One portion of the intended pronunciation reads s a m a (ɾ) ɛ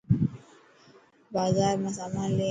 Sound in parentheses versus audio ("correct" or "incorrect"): incorrect